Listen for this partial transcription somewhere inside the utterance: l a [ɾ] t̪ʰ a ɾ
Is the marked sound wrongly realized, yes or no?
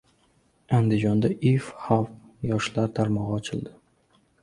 no